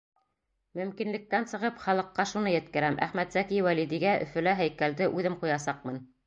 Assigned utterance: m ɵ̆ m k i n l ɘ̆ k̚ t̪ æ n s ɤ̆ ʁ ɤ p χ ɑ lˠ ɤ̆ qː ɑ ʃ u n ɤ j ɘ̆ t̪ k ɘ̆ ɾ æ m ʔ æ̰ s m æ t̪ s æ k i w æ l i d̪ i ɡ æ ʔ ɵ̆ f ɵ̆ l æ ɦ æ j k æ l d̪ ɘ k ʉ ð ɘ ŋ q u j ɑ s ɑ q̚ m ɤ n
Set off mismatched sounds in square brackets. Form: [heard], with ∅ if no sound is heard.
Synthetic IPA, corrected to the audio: m ɵ̆ m k i n l ɘ̆ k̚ t̪ æ n s ɤ̆ ʁ ɤ p χ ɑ lˠ ɤ̆ qː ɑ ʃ u n ɤ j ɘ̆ t̪ k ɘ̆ ɾ æ m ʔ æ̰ [χ] m æ t̪ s æ k i w æ l i d̪ i ɡ æ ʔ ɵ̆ f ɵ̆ l æ ɦ æ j k æ l d̪ ɘ [ʔ] ʉ ð ɘ [m] q u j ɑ s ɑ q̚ m ɤ n